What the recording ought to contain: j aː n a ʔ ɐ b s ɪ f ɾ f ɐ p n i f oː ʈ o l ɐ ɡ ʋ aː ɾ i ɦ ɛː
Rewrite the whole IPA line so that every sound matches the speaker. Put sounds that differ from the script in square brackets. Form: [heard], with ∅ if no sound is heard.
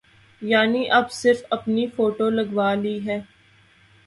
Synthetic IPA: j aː n [i] ʔ ɐ b s ɪ [∅] ɾ f ɐ p n i f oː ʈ o l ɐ ɡ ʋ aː [l] i ɦ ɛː

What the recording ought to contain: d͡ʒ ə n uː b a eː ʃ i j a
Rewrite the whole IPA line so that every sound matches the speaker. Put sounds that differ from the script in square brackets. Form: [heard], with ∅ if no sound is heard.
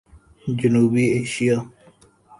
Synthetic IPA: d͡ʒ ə n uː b [i] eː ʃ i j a

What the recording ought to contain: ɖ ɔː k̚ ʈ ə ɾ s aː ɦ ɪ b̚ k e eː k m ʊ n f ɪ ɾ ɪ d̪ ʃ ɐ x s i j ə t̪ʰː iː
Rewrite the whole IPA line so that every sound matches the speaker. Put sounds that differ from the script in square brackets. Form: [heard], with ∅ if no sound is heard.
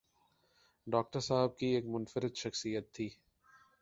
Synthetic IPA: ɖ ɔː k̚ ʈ ə ɾ s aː ɦ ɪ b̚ k [i] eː k m ʊ n f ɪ ɾ ɪ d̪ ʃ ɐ x s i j ə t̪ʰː iː

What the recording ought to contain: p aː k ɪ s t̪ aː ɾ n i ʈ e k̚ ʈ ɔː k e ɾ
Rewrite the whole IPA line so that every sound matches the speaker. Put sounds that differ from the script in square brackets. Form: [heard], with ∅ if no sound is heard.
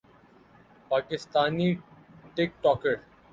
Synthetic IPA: p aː k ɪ s t̪ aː [∅] n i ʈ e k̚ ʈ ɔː k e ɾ

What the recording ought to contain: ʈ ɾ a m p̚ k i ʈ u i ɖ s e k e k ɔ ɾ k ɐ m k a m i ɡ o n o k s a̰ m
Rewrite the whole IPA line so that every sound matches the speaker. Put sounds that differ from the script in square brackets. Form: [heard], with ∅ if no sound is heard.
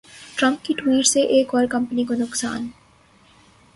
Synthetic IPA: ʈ ɾ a m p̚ k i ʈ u i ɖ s e [ʔ] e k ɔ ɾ k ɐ m [p] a [n] i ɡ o n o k s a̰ [n]

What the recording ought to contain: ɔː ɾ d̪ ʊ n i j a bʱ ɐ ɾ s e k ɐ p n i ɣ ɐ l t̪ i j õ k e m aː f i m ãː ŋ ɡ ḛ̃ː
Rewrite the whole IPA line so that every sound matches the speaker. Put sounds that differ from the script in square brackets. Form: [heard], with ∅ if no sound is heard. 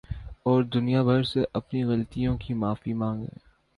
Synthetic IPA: ɔː ɾ d̪ ʊ n i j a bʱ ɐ ɾ s e [ʔ] ɐ p n i ɣ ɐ l t̪ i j õ k [i] m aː f i m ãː ŋ ɡ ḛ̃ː

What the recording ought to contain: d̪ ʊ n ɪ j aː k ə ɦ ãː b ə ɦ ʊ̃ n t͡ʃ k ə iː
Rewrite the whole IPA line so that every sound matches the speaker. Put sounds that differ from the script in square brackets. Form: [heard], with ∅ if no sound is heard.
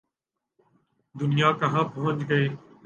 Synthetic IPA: d̪ ʊ n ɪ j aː k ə ɦ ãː [p] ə ɦ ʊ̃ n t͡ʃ [ɡ] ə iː

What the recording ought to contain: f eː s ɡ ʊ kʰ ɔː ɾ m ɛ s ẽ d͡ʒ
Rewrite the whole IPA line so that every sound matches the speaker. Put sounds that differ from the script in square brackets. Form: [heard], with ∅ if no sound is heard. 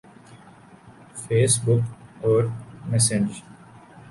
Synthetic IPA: f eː s [b] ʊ [k] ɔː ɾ m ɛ s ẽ d͡ʒ

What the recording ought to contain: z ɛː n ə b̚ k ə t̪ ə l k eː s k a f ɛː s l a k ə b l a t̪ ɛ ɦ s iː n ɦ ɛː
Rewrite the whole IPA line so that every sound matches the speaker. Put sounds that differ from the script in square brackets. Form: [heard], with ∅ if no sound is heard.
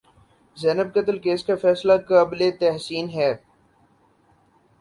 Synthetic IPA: z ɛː n ə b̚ k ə t̪ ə l k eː s k a f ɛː s l a k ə b l [e] t̪ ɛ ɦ s iː n ɦ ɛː

